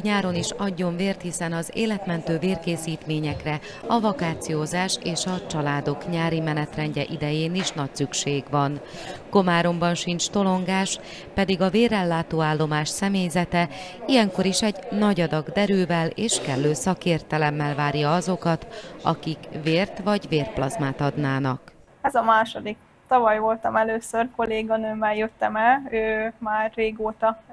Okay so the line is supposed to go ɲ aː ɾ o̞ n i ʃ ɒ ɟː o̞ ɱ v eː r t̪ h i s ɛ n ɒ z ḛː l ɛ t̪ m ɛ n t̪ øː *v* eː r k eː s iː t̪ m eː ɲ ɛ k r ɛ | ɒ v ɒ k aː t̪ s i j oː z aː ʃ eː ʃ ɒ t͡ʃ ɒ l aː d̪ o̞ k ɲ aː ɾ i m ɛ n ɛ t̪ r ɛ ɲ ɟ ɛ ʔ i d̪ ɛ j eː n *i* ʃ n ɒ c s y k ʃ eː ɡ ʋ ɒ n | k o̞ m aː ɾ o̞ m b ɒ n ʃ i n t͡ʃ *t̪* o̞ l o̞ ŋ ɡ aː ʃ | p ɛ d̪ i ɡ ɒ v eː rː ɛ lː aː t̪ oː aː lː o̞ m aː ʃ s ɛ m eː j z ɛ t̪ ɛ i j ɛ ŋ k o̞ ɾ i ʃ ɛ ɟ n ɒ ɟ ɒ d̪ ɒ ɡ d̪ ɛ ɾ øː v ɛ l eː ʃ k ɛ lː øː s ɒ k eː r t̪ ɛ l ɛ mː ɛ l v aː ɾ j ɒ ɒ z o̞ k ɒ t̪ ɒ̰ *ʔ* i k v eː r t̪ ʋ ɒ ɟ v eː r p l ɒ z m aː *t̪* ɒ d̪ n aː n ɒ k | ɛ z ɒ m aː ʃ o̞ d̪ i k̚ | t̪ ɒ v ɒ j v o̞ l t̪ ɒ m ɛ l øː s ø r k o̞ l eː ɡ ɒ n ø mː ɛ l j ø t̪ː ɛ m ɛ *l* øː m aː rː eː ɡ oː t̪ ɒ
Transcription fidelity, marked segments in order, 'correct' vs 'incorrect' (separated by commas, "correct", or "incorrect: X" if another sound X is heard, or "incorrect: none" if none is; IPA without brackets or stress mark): correct, correct, correct, incorrect: k, correct, correct